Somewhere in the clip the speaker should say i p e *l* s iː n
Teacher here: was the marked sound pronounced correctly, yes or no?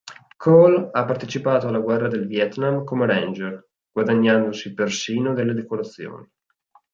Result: no